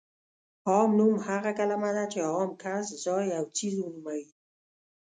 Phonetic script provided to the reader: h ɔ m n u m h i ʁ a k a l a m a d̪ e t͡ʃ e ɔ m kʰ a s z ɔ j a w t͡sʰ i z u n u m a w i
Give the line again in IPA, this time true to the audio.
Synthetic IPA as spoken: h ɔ m n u m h a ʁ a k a l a m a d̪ a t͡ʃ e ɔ m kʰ a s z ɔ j a w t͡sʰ i z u n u m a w i